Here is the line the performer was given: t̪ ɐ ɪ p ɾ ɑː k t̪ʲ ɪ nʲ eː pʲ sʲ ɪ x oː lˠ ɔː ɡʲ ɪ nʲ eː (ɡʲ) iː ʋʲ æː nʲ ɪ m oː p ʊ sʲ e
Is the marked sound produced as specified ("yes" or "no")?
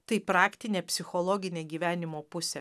yes